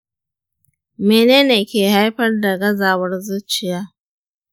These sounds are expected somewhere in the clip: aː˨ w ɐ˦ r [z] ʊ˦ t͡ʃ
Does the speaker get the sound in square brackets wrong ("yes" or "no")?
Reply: no